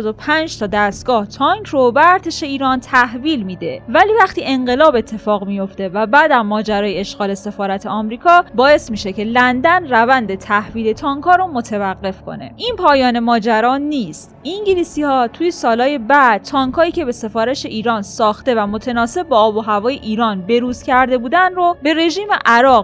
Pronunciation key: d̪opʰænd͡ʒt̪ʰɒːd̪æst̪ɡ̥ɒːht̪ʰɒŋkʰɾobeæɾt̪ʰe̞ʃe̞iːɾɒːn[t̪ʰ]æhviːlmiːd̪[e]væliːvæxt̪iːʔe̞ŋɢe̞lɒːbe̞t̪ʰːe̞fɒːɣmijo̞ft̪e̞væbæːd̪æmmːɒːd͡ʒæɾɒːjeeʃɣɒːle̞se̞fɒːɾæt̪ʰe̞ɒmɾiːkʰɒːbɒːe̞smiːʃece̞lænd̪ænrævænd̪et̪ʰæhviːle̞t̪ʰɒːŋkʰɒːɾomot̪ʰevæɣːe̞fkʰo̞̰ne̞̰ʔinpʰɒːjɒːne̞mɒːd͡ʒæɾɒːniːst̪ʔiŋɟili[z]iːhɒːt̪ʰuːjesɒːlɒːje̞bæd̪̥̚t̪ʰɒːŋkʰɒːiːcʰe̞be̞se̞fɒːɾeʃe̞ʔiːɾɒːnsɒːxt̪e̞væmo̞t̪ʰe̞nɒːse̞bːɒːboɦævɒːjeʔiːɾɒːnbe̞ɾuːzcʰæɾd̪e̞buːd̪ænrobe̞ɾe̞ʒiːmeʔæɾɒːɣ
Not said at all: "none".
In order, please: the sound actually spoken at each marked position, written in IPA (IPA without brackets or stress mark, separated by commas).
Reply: t̪ʰ, e, s